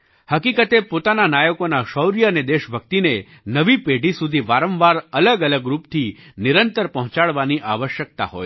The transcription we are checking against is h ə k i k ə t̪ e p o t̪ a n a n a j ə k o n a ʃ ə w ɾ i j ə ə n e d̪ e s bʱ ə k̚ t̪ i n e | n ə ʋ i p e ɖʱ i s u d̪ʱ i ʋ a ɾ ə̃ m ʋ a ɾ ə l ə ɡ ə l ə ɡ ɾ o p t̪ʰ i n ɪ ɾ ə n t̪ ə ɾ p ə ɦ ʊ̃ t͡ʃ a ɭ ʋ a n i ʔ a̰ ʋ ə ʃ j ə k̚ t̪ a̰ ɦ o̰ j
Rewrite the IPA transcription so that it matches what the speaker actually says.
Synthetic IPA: h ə k i k ə t̪ e p o t̪ a n a n a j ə k o n a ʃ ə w ɾ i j ə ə n e d̪ e ʃ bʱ ə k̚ t̪ i n e | n ə ʋ i p e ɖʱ i s u d̪ʱ i ʋ a ɾ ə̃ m ʋ a ɾ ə l ə ɡ ə l ə ɡ ɾ u p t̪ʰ i n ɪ ɾ ə n t̪ ə ɾ p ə ɦ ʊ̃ t͡ʃ a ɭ ʋ a n i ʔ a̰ ʋ ə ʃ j ə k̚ t̪ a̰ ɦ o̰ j